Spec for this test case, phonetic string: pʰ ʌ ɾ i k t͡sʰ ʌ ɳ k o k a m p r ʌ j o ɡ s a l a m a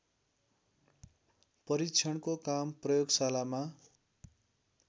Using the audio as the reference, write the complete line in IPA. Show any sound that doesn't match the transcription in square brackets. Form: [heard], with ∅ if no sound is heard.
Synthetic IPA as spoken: [p] ʌ ɾ i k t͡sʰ ʌ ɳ k o k a m p r ʌ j o ɡ s a l a m a

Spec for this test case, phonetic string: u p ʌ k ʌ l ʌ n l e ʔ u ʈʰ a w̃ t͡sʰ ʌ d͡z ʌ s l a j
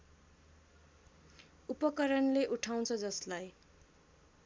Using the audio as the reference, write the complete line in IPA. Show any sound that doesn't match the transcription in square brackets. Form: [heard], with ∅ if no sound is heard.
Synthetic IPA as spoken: u p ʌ k ʌ [ɾ] ʌ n l e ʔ u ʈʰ a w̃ t͡sʰ ʌ d͡z ʌ s l a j

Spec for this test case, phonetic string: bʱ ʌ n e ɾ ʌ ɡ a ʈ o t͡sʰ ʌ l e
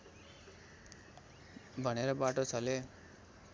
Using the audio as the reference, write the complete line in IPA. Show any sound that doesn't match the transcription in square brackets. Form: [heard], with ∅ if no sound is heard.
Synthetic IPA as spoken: bʱ ʌ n e ɾ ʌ [b] a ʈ o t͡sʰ ʌ l e

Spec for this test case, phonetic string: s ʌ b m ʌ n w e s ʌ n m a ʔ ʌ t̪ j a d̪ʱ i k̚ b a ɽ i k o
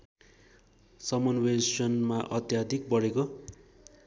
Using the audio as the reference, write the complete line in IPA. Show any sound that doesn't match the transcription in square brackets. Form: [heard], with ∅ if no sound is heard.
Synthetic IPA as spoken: s ʌ [∅] m ʌ n w e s ʌ n m a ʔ ʌ t̪ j a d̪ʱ i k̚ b [ʌ] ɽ [e] k o

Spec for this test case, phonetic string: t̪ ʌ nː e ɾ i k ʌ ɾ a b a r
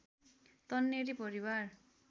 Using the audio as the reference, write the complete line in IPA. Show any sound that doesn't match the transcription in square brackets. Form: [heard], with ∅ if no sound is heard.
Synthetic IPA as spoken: t̪ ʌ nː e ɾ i [p] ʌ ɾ [i] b a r

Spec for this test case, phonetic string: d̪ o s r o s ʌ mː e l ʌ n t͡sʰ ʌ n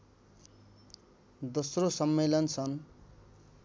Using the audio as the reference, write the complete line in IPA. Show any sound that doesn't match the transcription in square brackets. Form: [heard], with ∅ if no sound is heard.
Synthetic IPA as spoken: d̪ o s r o s ʌ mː e l ʌ n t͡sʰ ʌ n

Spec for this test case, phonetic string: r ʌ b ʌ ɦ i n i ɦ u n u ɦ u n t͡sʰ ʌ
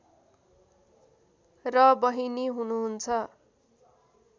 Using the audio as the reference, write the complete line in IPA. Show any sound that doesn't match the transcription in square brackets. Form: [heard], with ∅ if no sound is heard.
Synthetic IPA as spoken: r ʌ b ʌ ɦ i n i ɦ u n u ɦ u n t͡sʰ ʌ

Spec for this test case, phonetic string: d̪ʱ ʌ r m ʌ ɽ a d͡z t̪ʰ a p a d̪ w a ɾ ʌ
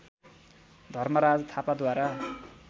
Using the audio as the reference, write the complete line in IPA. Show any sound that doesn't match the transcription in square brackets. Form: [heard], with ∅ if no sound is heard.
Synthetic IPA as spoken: d̪ʱ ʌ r m ʌ [ɾ] a d͡z t̪ʰ a p a d̪ w a ɾ [a]

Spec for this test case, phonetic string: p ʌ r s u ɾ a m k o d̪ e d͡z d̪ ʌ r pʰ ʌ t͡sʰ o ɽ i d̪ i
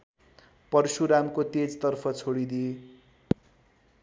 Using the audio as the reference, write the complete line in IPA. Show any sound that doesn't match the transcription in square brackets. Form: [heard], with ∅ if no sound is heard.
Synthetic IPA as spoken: p ʌ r s u ɾ a m k o [t̪] e d͡z [t̪] ʌ r pʰ ʌ t͡sʰ o ɽ i d̪ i

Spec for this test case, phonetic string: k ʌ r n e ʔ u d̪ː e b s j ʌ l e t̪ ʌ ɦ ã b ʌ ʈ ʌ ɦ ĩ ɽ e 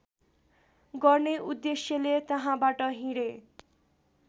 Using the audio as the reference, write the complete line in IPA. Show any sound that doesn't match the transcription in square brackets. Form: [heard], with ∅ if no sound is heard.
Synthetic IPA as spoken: [ɡ] ʌ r n e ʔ u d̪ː e [∅] s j ʌ l e t̪ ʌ ɦ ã b [a] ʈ ʌ ɦ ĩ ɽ e

